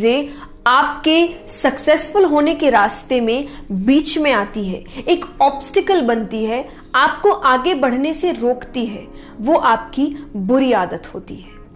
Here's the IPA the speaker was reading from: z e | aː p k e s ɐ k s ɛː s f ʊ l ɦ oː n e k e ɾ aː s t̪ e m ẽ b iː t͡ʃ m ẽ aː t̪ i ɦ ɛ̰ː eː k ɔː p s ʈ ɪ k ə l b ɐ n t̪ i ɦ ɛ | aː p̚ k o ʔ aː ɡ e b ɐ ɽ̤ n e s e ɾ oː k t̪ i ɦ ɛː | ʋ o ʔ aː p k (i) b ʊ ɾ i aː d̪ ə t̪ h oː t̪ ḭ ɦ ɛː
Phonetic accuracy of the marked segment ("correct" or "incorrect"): correct